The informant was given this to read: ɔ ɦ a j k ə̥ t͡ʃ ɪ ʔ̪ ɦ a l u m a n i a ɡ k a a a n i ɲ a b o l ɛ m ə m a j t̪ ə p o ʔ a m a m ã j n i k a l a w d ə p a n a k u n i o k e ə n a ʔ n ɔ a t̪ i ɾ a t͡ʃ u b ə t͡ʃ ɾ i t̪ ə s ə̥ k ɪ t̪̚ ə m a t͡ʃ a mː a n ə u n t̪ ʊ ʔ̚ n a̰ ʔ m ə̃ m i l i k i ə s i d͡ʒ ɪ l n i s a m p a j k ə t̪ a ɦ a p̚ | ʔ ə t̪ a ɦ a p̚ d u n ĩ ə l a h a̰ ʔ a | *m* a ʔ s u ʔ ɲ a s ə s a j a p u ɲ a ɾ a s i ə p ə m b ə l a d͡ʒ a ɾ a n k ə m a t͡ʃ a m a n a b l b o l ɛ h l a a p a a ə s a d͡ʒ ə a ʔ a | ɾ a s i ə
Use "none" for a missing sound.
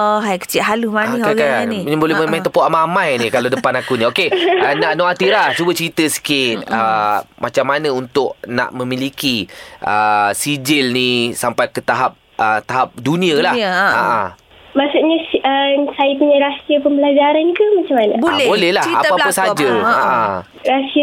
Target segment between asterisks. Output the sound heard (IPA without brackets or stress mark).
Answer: m